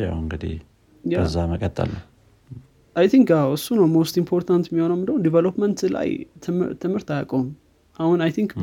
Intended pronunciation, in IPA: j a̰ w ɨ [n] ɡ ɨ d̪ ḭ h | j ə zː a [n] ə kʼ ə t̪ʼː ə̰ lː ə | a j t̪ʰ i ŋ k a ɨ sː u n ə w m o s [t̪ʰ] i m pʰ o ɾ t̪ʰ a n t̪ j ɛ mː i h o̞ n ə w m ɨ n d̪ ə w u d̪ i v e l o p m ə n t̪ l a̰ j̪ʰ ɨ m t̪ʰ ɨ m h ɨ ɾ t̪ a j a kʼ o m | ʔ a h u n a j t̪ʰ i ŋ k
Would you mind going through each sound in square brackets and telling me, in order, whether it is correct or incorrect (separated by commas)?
incorrect, incorrect, incorrect